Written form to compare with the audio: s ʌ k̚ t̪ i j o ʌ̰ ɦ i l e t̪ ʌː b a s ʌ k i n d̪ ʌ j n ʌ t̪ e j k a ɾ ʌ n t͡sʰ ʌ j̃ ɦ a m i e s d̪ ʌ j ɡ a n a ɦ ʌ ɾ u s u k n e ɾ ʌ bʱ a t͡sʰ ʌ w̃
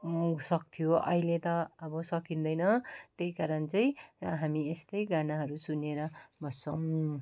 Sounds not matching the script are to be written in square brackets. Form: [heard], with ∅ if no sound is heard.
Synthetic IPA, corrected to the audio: s ʌ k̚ [t̪ʰ] i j o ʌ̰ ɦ i l e t̪ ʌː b [ʌ] s ʌ k i n d̪ ʌ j n ʌ t̪ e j k a ɾ ʌ n [t͡s] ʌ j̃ ɦ a m i e s [t̪] ʌ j ɡ a n a ɦ ʌ ɾ u s u [∅] n e ɾ ʌ bʱ [ʌ] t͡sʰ ʌ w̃